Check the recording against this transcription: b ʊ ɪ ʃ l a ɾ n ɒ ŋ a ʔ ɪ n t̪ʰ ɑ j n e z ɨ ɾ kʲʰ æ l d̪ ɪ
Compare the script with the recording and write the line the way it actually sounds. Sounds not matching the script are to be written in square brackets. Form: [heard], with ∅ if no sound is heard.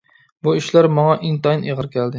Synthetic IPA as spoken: b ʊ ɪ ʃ l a ɾ [m] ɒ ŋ [ɑ] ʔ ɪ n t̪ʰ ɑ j n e [ʁ] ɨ ɾ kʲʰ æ l d̪ ɪ